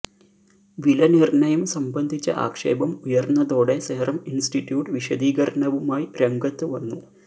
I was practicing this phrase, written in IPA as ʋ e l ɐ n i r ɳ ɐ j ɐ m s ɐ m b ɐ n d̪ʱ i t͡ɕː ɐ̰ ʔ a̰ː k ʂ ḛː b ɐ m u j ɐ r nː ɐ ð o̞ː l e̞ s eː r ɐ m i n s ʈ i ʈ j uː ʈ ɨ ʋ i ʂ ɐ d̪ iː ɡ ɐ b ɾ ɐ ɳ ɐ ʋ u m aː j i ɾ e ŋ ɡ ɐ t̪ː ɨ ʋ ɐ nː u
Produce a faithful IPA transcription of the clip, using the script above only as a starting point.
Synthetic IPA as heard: ʋ i l ɐ n i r ɳ ɐ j ɐ m s ɐ m b ɐ n d̪ʱ i t͡ɕː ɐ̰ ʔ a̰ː k ʂ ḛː b ɐ m u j ɐ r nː ɐ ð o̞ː ɽ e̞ s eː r ɐ m i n s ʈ i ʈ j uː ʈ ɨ ʋ i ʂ ɐ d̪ iː ɡ ɐ ɾ ɐ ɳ ɐ ʋ u m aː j i ɾ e ŋ ɡ ɐ t̪ː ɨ ʋ ɐ nː u